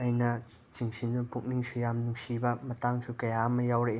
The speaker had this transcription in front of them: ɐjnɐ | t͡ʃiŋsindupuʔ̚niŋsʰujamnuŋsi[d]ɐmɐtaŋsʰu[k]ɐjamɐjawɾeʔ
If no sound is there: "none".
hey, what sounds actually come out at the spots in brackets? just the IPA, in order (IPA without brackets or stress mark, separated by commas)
b, k